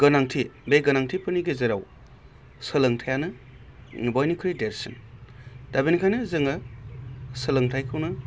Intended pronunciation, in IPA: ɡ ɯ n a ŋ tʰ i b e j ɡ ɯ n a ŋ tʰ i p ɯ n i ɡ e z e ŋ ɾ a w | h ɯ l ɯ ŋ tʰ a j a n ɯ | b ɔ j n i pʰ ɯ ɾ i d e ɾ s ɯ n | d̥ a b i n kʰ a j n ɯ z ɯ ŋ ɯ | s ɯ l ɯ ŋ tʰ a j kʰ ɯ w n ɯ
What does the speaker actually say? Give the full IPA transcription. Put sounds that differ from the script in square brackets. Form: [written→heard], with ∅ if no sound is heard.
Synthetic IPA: ɡ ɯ n a ŋ tʰ i b e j ɡ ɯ n a ŋ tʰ i p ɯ n i ɡ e z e [ŋ→∅] ɾ a w | [h→s] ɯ l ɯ ŋ tʰ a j a n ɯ | b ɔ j n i [pʰ→kʰ] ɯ ɾ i d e ɾ s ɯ n | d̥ a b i n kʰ a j n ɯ z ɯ ŋ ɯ | s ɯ l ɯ ŋ tʰ a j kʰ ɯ w n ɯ